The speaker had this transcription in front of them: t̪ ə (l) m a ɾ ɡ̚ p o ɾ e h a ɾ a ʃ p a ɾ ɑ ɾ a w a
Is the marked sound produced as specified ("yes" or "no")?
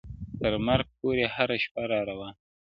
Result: no